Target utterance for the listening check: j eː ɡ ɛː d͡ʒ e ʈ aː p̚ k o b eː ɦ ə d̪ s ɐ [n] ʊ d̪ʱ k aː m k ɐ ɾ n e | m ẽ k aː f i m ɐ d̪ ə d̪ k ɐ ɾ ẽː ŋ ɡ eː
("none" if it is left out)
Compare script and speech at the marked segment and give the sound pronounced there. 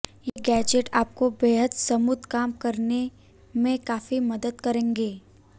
m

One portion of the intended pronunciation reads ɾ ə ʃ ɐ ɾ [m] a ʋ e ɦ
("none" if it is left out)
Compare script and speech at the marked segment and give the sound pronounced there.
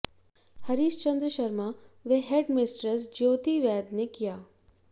m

